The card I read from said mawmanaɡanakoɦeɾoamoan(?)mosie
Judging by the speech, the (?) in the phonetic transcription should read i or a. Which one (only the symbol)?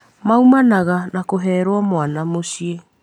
a